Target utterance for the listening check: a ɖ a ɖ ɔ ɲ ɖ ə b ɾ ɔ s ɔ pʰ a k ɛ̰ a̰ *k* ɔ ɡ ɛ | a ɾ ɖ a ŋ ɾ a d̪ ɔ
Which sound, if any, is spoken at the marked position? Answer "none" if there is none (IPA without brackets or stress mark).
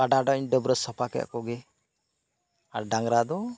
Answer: k